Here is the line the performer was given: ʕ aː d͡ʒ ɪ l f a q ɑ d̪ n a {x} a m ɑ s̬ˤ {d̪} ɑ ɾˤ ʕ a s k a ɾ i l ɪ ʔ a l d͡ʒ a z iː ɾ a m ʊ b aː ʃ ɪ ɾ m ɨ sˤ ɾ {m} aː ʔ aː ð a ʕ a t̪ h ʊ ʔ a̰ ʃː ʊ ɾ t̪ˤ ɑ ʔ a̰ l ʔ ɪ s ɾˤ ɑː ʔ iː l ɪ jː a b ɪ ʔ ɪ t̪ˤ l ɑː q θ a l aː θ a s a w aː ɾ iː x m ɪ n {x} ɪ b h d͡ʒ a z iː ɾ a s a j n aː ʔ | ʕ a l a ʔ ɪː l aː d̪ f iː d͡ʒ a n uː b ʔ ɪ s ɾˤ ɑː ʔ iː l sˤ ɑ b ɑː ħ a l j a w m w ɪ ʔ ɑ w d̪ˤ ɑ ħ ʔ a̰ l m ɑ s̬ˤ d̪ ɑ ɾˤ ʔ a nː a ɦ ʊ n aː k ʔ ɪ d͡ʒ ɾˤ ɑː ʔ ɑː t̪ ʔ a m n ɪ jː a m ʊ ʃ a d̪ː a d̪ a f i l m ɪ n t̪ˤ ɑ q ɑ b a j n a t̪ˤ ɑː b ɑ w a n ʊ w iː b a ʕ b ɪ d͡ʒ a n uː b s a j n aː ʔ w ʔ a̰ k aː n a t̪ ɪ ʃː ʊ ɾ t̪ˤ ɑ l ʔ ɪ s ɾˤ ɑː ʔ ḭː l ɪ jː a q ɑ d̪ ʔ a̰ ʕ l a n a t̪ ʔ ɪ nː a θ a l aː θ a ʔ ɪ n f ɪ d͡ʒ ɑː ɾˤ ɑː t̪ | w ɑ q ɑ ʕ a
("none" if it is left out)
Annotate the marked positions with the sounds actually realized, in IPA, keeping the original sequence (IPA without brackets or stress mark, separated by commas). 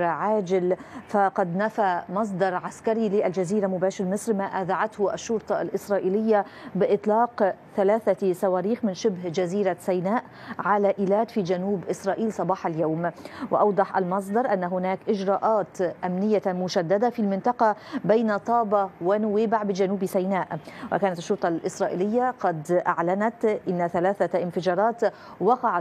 f, d̪, m, ʃ